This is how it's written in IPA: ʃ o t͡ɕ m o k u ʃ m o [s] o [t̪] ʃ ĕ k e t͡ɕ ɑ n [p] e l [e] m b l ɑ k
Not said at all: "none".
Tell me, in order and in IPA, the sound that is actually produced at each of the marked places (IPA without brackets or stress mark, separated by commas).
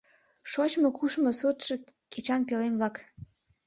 s, t̪, p, e